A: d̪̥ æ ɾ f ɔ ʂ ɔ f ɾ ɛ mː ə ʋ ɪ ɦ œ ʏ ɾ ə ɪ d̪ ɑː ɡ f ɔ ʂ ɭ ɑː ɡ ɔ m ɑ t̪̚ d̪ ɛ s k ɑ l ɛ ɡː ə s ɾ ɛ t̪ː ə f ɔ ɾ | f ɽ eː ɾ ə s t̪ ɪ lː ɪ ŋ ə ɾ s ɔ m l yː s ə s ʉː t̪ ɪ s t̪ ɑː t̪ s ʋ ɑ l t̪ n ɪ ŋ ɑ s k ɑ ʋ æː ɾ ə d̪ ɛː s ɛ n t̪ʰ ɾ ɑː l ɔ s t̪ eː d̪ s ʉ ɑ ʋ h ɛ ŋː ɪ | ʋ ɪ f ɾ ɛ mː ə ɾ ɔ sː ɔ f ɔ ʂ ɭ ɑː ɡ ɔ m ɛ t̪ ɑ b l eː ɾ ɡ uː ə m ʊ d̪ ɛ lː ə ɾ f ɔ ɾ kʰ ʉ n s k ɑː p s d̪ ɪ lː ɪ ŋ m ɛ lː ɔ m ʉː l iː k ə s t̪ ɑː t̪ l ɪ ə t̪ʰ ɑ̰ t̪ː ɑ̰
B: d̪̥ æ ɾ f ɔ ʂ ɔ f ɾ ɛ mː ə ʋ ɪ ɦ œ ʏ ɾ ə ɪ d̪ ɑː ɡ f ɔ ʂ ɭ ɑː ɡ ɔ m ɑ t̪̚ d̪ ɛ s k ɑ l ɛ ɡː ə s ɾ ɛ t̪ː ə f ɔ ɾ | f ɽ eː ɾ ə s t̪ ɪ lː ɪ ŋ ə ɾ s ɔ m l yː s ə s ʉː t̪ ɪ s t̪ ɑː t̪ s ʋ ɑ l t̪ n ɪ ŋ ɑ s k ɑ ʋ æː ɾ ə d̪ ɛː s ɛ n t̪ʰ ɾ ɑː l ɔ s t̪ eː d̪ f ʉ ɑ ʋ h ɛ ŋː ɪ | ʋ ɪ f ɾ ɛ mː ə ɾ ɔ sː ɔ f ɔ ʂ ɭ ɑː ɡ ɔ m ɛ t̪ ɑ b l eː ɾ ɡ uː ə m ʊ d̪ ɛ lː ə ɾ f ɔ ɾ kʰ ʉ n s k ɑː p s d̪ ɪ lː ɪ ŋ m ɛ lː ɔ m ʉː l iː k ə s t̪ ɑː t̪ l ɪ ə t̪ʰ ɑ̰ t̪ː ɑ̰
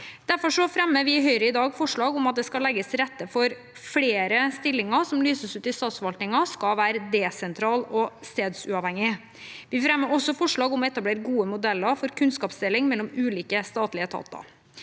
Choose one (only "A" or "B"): A